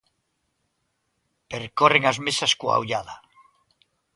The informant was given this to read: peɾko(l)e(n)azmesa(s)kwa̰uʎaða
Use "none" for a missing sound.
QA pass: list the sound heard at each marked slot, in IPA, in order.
r, ŋ, s

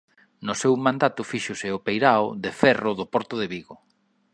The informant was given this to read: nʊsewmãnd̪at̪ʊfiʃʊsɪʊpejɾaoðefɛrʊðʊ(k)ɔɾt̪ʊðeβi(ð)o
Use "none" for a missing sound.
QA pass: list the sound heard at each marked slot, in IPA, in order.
p, ɣ

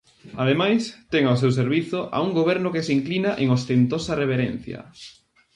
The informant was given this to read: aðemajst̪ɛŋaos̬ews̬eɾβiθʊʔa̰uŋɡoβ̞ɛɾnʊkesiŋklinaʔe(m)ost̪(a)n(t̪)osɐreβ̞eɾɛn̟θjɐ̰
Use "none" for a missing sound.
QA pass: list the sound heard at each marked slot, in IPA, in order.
ŋ, e, t̪

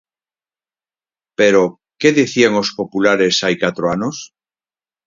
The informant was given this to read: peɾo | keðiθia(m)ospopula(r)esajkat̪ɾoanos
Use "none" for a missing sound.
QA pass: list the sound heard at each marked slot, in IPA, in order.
ŋ, ɾ

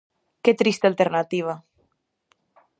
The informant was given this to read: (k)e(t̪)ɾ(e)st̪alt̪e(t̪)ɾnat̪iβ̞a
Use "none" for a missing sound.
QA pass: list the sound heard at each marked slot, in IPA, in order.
k, t̪, i, none

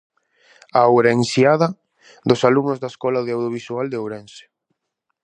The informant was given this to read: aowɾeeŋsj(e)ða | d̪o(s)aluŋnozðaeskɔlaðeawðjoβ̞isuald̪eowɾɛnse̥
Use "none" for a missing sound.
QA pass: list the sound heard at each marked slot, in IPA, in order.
a, s

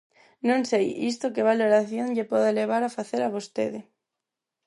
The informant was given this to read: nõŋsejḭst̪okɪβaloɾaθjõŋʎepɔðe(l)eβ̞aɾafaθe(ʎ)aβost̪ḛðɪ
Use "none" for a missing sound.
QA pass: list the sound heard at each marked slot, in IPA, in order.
l, ɾ

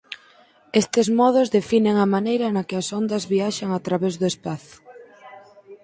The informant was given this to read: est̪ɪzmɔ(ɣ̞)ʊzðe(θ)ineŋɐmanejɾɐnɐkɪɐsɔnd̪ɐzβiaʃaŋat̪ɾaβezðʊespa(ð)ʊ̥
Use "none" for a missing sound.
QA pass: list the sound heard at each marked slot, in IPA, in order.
ð̞, f, θ

